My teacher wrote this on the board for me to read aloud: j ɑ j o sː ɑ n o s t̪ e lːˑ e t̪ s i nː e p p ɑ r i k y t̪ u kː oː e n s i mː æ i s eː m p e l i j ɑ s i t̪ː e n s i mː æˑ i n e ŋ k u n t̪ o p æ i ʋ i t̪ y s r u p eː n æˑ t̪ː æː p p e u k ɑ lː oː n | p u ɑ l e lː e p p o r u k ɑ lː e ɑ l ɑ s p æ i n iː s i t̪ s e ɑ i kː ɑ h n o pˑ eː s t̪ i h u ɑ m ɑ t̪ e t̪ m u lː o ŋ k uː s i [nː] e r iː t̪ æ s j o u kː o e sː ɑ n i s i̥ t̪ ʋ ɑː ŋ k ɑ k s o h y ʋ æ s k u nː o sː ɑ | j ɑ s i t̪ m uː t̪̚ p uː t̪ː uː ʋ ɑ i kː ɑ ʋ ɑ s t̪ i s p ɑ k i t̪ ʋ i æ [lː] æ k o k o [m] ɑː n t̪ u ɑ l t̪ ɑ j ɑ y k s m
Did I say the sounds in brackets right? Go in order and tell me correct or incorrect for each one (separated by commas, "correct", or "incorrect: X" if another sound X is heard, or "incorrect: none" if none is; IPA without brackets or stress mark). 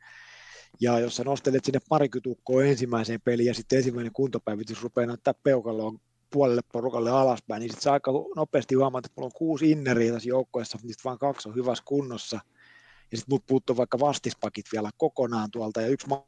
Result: correct, incorrect: l, incorrect: n